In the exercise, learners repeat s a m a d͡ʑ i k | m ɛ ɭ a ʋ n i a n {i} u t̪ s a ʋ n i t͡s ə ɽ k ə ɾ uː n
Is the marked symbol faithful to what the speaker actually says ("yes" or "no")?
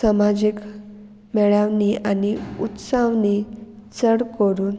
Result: yes